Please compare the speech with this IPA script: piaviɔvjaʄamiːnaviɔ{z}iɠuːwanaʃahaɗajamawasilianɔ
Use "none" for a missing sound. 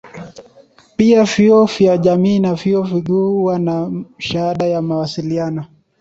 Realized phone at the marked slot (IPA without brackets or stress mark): v